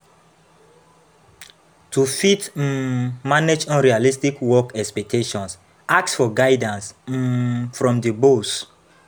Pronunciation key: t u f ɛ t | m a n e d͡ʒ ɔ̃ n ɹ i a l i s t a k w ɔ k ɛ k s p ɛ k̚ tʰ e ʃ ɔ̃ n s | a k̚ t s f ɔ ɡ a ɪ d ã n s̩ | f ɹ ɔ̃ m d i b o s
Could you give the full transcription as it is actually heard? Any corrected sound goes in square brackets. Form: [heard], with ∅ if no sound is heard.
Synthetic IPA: t u f [i] t | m a n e d͡ʒ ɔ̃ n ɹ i a l i s t [i] k w ɔ k ɛ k s p ɛ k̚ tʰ e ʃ ɔ̃ n s | a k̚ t s f ɔ ɡ a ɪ d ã n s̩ | f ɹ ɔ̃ m d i b o s